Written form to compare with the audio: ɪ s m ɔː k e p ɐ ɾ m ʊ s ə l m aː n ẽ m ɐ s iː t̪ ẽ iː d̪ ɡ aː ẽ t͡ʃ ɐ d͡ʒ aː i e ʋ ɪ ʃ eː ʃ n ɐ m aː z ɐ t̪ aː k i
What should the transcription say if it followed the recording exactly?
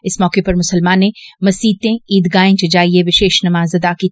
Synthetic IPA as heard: ɪ s m ɔː k e p ɐ ɾ m ʊ s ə l m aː n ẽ m ɐ s iː t̪ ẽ iː d̪ ɡ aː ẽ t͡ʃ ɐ d͡ʒ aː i e ʋ ɪ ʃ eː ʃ n ɐ m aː z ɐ d̪ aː k i